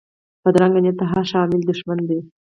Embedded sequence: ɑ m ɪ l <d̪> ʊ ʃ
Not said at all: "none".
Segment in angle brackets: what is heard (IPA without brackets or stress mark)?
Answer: d̪